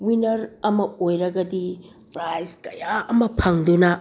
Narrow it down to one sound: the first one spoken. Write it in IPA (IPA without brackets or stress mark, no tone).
w